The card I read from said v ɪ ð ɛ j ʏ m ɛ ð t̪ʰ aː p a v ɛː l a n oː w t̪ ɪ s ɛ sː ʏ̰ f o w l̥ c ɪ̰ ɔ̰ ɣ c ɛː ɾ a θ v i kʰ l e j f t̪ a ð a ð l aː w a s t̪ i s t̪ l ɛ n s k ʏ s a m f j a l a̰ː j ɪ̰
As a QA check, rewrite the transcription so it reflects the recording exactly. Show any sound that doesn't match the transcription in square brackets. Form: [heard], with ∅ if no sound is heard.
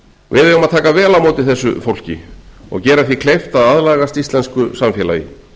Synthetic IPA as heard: v ɪ ð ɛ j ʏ m [a] ð t̪ʰ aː [k] a v ɛː l a [m] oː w t̪ ɪ [θ] ɛ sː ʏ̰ f o w l̥ c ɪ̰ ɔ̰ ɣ c ɛː ɾ a θ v i kʰ l e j f t̪ a ð a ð l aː [ɣ] a s t̪ i s t̪ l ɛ n s k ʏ s a m f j [ɛ] l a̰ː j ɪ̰